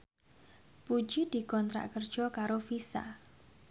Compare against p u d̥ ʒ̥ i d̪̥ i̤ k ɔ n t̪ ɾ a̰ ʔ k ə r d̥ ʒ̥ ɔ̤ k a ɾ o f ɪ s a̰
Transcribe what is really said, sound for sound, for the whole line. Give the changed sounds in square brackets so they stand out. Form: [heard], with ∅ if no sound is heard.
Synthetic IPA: p u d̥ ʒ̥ i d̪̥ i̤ k ɔ n t̪ ɾ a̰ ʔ k ə r d̥ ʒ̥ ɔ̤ k a ɾ o f [i] s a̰

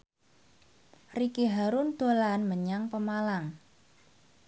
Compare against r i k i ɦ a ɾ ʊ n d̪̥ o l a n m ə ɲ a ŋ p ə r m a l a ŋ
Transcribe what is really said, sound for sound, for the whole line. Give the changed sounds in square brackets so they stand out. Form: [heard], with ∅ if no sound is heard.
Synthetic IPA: r i k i ɦ a ɾ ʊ n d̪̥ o l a n m ə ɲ a ŋ p ə [∅] m a l a ŋ

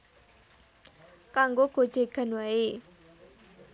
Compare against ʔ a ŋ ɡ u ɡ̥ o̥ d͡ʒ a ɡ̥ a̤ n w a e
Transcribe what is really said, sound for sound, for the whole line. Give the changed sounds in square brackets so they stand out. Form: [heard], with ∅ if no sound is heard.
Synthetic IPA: [k] a ŋ ɡ [o] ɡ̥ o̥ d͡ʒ [e] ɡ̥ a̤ n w a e

